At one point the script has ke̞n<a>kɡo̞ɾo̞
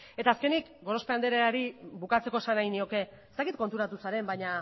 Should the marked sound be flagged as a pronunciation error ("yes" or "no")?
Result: yes